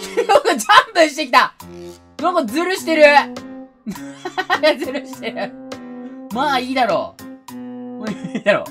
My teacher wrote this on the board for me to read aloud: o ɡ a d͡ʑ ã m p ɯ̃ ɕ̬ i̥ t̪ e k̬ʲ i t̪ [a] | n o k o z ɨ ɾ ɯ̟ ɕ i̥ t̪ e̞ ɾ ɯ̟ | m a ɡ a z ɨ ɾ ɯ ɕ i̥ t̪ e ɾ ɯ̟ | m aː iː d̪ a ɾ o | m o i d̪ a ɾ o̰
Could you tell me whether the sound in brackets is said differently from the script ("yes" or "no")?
no